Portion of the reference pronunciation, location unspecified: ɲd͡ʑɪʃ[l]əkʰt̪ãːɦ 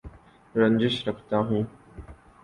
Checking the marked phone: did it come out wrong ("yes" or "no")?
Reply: yes